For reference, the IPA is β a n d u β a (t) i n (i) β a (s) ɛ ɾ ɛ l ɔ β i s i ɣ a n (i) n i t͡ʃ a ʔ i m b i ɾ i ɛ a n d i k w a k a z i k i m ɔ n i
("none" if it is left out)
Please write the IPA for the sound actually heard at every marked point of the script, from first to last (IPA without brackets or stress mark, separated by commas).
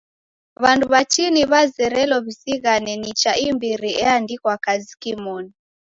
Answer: t͡ʃ, i, z, ɛ